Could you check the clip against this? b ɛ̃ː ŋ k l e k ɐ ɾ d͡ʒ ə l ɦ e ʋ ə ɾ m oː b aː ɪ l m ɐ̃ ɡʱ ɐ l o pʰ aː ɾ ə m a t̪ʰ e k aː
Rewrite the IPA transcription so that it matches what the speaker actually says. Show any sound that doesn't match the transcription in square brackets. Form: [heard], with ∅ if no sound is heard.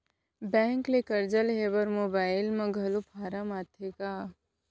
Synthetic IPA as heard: b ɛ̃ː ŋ k l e k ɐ ɾ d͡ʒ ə l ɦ e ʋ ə ɾ m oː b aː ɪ l m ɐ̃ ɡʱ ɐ l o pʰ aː ɾ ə m a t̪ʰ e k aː